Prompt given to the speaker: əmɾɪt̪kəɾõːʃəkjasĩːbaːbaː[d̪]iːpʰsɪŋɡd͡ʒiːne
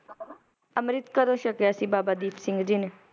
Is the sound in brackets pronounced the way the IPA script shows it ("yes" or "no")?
yes